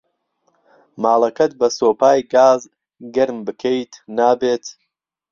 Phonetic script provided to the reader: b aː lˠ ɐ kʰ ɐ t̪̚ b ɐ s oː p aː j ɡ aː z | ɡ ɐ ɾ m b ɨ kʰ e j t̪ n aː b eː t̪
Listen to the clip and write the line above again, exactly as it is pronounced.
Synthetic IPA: m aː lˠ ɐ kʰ ɐ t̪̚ b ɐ s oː p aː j ɡ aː z | ɡ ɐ ɾ m b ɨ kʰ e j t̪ n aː b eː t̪